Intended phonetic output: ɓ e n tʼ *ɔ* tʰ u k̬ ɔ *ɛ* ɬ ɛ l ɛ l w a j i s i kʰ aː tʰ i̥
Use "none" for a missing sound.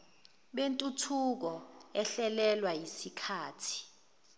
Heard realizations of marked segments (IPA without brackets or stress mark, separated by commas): u, ɛ